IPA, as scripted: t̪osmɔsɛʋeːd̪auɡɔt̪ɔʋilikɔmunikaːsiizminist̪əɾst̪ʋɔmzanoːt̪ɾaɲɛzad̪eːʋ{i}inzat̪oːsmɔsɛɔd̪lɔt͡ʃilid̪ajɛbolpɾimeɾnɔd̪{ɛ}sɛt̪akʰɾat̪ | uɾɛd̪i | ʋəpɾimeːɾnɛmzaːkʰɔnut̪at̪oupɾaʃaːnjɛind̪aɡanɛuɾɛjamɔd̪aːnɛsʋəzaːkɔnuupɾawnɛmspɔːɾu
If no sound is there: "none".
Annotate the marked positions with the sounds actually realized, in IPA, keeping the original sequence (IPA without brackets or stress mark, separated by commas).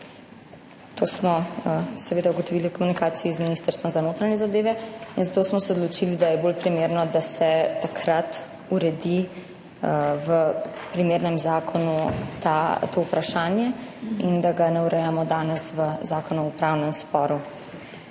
ɛ, a